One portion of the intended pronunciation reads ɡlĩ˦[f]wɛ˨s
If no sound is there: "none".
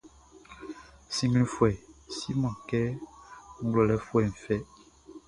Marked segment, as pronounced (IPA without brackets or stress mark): f